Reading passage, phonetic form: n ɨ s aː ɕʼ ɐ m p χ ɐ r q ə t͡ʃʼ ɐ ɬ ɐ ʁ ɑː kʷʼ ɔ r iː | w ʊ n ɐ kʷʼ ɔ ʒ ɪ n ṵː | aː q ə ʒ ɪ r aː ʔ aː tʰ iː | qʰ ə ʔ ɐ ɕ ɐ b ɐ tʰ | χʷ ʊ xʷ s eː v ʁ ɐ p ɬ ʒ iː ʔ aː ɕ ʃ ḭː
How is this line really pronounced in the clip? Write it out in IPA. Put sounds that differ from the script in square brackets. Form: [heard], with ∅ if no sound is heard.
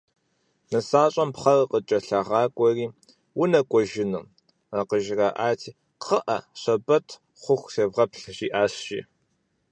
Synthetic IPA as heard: n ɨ s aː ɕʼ ɐ m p χ ɐ r q ə t͡ʃʼ ɐ ɬ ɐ ʁ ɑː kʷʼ ɔ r iː | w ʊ n ɐ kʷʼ ɔ ʒ ɪ n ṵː | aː q ə ʒ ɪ r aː ʔ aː tʰ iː | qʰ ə ʔ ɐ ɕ ɐ b ɐ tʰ | χʷ ʊ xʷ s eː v ʁ ɐ p ɬ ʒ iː ʔ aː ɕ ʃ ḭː